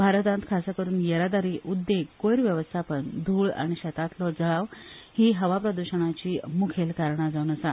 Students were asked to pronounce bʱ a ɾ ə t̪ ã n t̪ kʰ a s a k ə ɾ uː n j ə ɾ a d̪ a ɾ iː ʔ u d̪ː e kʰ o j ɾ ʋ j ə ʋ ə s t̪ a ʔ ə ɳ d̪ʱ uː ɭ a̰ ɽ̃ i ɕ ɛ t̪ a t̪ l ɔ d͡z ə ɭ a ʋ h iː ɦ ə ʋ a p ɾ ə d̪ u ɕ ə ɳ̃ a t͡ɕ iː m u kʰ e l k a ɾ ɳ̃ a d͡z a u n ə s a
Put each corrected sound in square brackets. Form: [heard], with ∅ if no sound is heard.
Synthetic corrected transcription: bʱ a ɾ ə t̪ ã n t̪ kʰ a s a k ə ɾ uː n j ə ɾ a d̪ a ɾ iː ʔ u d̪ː e [k] o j ɾ ʋ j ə ʋ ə s [t̪ʰ] a [p] ə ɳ d̪ʱ uː ɭ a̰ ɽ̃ i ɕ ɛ t̪ a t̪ l ɔ d͡z ə ɭ a ʋ h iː ɦ ə ʋ a p ɾ ə d̪ u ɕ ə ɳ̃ a t͡ɕ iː m u kʰ e l k a ɾ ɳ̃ a d͡z a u n ə s a

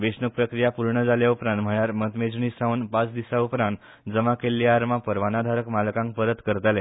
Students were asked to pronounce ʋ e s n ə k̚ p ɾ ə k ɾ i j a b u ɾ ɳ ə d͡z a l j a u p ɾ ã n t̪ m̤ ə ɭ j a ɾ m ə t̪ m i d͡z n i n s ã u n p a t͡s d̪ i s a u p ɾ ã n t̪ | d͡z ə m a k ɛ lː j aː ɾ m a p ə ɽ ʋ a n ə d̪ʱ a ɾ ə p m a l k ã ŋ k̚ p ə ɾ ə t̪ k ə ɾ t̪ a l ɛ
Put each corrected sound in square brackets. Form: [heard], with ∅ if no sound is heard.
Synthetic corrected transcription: ʋ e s n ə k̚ p ɾ ə k ɾ i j a [p] u ɾ ɳ ə d͡z a l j a u p ɾ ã n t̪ m̤ ə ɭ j a ɾ m ə t̪ m [e] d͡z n i [∅] s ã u n p a t͡s d̪ i s a u p ɾ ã n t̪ | d͡z ə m a k [e] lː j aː ɾ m a p ə [ɾ] ʋ a n [a] d̪ʱ a ɾ ə [k] m a l k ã ŋ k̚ p ə ɾ ə t̪ k ə ɾ t̪ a l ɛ

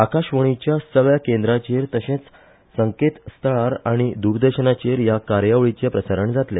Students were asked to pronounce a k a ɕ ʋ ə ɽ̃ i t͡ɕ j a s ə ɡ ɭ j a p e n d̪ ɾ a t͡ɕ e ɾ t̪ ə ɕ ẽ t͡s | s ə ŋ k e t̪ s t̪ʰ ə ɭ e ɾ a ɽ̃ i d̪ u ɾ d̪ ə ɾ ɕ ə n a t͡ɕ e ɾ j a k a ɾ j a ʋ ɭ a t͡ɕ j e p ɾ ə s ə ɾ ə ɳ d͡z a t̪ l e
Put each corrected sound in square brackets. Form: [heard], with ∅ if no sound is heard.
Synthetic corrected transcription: a k a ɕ ʋ ə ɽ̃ i t͡ɕ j a s ə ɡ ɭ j a [k] e n d̪ ɾ a t͡ɕ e ɾ t̪ ə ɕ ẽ t͡s | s ə ŋ k e t̪ s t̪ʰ ə ɭ [a] ɾ a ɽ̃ i d̪ u ɾ d̪ ə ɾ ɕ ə n a t͡ɕ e ɾ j a k a ɾ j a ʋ ɭ [i] t͡ɕ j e p ɾ ə s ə ɾ ə ɳ d͡z a t̪ l e

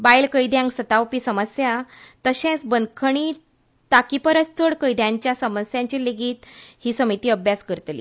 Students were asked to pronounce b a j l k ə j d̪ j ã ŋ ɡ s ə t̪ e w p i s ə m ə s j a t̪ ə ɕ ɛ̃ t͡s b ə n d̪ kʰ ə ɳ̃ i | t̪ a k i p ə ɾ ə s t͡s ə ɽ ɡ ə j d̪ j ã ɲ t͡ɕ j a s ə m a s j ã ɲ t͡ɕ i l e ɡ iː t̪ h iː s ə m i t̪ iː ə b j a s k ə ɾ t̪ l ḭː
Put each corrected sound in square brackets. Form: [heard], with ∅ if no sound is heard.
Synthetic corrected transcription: b a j l k ə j d̪ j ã ŋ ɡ s ə t̪ [a] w p i s ə m ə s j a t̪ ə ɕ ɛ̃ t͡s b ə n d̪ kʰ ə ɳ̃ i | t̪ a k i p ə ɾ ə s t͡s ə ɽ [k] ə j d̪ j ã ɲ t͡ɕ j a s ə m [ə] s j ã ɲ t͡ɕ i l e ɡ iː t̪ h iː s ə m i t̪ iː ə b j a s k ə ɾ t̪ l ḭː

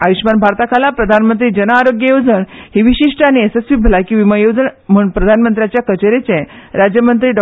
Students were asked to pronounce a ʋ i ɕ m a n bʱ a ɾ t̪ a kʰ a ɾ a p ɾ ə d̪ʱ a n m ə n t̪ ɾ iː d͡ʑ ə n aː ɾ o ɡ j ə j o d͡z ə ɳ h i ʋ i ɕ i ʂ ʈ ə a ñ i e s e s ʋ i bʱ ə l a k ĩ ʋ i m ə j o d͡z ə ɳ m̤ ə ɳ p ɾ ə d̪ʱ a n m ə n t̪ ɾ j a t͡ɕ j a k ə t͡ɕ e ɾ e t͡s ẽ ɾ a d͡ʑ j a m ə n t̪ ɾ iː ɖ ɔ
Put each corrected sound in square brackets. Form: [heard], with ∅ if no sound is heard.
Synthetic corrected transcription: a ʋ i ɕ m a n bʱ a ɾ t̪ a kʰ a [l] a p ɾ ə d̪ʱ a n m ə n t̪ ɾ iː d͡ʑ ə n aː ɾ o ɡ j ə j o d͡z ə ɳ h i ʋ i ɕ i ʂ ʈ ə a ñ i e s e s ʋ i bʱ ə l a k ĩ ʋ i m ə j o d͡z ə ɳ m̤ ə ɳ p ɾ ə d̪ʱ a n m ə n t̪ ɾ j a t͡ɕ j a k ə t͡ɕ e ɾ e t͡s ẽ ɾ a d͡ʑ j [ə] m ə n t̪ ɾ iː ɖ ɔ

